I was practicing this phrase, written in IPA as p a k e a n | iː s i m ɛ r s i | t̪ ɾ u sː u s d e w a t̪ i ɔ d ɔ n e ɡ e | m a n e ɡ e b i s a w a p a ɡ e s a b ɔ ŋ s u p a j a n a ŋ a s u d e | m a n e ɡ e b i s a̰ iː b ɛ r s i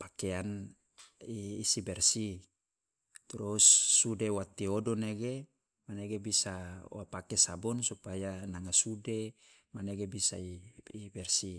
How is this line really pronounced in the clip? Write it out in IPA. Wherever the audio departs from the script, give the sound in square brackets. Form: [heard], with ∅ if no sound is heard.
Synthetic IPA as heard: p a k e a n | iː s i [b] ɛ r s i | t̪ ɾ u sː u [∅] d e w a t̪ i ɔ d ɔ n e ɡ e | m a n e ɡ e b i s a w a p a [k] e s a b ɔ [n] s u p a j a n a ŋ a s u d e | m a n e ɡ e b i s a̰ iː b ɛ r s i